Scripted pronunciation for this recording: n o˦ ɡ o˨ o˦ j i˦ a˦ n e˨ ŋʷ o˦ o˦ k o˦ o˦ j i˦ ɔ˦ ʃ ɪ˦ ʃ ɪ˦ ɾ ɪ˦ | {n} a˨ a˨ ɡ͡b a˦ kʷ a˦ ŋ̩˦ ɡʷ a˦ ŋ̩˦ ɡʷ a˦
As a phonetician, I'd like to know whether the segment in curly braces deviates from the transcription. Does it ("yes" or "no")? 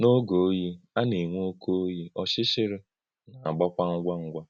no